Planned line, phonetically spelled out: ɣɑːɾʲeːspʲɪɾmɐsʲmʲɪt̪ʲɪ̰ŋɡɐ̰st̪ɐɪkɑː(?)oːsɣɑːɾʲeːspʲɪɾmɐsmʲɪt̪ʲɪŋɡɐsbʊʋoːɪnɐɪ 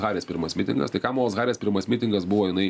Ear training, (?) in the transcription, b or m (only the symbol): m